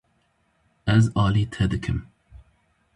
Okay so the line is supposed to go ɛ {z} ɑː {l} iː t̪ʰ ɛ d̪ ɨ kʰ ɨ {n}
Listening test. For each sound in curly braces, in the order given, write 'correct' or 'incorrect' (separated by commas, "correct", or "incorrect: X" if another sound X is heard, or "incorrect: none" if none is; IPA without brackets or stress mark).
correct, correct, incorrect: m